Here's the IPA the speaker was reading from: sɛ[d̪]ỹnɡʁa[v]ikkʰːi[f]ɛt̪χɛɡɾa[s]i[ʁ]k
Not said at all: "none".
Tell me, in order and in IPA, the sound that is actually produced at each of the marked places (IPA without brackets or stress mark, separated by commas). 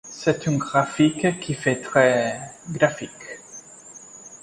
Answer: t̪, f, f, f, none